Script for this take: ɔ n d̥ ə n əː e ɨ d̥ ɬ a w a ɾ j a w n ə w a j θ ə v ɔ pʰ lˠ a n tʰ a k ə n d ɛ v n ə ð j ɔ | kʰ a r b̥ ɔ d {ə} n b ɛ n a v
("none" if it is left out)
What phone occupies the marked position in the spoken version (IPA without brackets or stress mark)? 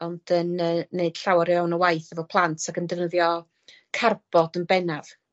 ə